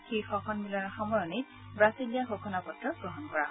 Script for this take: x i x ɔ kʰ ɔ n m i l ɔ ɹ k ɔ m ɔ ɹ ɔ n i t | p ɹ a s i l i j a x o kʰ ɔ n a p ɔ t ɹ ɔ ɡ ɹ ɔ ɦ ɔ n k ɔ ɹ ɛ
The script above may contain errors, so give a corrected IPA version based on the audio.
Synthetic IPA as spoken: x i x ɔ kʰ ɔ n m i l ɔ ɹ x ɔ m ɔ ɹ ɔ n i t | b ɹ a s i l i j a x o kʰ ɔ n a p ɔ t ɹ ɔ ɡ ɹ ɔ ɦ ɔ n k ɔ ɹ a